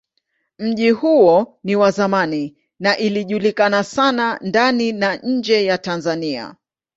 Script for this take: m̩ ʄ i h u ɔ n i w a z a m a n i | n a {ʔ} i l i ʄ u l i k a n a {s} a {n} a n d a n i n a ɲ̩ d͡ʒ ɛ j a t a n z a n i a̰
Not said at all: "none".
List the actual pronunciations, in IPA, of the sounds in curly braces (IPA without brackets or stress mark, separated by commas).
ʔ, s, n